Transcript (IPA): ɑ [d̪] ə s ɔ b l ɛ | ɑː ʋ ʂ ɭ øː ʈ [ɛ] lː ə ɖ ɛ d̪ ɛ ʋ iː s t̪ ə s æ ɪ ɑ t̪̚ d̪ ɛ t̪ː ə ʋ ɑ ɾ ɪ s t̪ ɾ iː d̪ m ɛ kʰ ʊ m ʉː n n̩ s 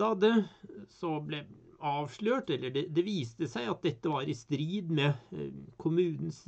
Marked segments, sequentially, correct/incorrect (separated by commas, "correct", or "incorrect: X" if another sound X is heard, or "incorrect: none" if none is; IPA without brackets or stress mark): correct, correct